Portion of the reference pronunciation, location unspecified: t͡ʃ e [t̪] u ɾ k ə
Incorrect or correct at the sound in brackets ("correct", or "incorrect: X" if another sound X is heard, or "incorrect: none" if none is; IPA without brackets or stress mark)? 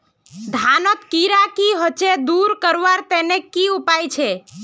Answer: incorrect: d̪